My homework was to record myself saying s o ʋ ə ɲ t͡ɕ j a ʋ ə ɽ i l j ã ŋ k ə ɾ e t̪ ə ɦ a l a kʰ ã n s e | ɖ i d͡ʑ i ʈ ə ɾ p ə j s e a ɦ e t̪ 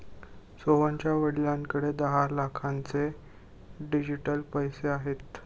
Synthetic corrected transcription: s o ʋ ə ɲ t͡ɕ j a ʋ ə ɽ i l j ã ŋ k ə ɽ e d̪ ə ɦ a l a kʰ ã n t͡s e | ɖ i d͡ʑ i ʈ ə l p ə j s e a ɦ e t̪